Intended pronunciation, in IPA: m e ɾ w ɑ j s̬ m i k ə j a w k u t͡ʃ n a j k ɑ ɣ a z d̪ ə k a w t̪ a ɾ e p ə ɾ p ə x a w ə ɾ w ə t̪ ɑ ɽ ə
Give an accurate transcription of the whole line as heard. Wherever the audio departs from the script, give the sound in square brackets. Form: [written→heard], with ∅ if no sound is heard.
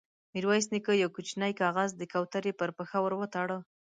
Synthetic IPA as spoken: m [e→i] ɾ w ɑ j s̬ [m→n] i k ə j a w k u t͡ʃ n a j k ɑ ɣ a z d̪ ə k a w t̪ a ɾ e p ə ɾ p ə x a w ə ɾ w ə t̪ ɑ ɽ ə